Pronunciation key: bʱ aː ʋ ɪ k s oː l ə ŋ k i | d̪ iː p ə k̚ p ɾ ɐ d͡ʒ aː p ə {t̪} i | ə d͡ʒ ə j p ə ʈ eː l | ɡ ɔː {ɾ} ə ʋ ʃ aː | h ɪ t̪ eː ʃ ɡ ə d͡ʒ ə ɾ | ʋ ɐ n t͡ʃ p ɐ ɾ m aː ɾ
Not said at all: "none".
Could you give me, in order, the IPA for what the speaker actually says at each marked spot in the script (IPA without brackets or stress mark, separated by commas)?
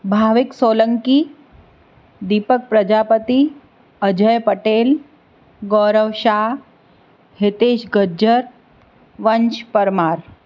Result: t̪, ɾ